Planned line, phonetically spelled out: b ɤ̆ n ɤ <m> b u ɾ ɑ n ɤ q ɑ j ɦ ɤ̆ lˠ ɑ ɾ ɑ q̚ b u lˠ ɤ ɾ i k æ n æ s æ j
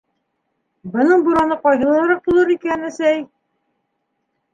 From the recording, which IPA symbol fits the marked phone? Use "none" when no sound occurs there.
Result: ɴ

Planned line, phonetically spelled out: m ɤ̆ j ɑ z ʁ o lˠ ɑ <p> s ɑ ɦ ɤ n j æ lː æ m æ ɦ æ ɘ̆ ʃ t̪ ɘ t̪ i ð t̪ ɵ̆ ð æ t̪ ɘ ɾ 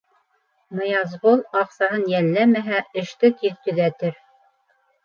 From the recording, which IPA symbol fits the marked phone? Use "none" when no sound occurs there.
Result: q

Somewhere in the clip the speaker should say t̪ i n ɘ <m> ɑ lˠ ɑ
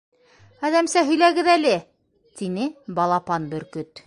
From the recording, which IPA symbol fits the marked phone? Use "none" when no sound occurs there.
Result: b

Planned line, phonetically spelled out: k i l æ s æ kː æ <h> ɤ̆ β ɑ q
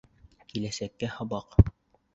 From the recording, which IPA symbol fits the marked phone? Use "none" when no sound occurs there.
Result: h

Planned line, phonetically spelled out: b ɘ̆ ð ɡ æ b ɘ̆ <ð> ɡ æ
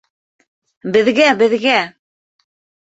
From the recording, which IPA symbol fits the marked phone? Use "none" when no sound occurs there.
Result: ð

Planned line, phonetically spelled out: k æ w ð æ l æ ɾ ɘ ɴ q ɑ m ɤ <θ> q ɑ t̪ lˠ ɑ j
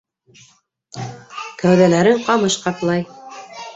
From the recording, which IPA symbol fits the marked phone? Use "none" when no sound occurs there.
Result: ʃ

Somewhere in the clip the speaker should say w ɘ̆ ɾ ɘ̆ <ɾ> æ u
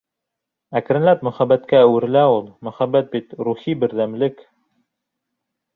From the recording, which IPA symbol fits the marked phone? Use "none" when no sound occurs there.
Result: l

